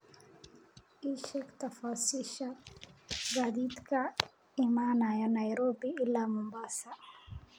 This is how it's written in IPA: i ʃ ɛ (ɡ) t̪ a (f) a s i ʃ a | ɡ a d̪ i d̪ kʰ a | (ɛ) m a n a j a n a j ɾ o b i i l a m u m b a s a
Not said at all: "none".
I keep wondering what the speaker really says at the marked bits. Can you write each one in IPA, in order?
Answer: k, f, i

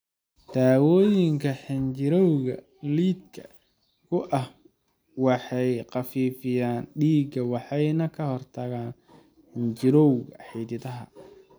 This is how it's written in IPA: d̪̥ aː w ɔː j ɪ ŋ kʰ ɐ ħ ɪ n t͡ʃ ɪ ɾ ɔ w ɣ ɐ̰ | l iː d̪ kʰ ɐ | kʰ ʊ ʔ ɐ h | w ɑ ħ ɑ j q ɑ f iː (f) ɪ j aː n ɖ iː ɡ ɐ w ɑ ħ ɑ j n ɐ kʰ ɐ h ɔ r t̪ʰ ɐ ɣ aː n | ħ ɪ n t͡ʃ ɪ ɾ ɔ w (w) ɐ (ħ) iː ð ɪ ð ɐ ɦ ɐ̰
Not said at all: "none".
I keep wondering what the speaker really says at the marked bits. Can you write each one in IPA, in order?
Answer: f, ɣ, ħ

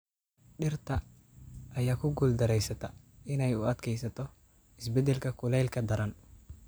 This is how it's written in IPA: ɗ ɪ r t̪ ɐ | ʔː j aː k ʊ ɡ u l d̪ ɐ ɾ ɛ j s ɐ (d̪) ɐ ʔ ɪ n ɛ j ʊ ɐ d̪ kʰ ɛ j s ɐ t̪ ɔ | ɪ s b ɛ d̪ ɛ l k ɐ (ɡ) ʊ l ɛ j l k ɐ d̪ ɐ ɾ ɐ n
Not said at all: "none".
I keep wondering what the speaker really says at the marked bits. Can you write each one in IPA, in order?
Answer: t̪, k

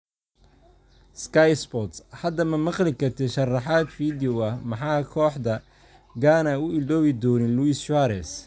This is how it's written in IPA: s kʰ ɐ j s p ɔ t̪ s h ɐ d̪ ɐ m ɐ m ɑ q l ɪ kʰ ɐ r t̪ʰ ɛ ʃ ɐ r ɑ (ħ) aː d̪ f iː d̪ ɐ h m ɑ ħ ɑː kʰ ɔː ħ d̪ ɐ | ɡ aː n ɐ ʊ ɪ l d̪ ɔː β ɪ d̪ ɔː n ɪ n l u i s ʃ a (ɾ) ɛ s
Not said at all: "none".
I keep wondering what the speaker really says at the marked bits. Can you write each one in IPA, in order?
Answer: ħ, ɾ

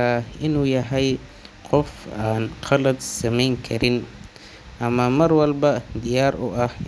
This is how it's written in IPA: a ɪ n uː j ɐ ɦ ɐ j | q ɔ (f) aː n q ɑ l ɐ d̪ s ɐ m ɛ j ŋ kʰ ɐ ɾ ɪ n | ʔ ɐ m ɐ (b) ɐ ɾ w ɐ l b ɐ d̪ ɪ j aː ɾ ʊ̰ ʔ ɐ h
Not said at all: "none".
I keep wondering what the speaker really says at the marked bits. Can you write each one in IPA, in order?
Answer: f, m

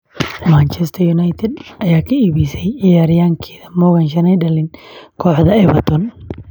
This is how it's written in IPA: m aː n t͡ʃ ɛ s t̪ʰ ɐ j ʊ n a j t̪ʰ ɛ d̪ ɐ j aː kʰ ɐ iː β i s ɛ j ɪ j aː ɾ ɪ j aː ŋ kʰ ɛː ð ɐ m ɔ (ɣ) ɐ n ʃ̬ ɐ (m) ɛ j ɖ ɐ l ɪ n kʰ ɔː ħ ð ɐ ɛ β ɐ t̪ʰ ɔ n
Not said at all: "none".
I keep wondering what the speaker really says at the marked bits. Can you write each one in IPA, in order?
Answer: ɣ, n

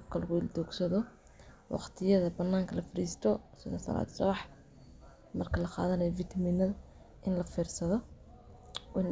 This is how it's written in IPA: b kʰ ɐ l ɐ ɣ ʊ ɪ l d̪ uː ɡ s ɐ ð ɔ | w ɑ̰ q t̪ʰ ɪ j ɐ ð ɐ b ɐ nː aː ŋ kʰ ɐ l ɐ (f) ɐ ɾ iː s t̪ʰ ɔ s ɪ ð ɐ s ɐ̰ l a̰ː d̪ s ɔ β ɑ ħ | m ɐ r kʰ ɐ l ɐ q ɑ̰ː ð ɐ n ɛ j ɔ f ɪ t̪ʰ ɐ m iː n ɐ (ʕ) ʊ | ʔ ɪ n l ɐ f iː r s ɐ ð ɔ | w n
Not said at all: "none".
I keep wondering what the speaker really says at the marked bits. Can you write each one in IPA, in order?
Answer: f, ð

